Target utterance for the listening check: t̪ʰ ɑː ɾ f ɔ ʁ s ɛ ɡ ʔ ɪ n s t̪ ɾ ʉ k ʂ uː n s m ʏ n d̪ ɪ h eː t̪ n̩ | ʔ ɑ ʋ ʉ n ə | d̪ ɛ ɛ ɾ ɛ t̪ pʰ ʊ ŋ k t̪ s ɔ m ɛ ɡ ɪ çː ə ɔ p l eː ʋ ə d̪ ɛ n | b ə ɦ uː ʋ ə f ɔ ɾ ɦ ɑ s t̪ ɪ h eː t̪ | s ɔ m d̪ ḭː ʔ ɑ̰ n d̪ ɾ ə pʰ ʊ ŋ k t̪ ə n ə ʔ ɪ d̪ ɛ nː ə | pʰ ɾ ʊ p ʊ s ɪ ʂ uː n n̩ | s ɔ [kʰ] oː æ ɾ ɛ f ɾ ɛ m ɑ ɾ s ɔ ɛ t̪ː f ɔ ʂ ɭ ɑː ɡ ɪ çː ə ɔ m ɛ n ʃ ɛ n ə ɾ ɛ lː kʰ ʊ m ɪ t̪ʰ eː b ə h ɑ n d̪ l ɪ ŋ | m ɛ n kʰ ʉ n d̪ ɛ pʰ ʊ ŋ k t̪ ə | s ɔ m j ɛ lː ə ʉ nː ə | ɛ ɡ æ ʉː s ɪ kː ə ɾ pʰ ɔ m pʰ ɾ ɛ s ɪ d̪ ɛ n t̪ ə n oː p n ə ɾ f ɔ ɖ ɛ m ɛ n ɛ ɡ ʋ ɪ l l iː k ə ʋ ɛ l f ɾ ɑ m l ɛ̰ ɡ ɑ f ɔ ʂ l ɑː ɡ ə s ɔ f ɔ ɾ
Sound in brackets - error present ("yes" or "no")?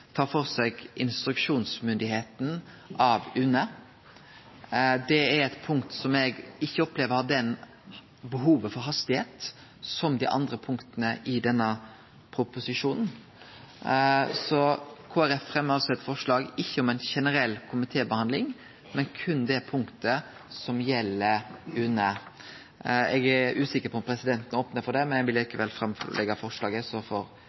no